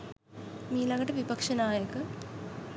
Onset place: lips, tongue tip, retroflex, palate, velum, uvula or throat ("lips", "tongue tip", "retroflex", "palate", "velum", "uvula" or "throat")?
lips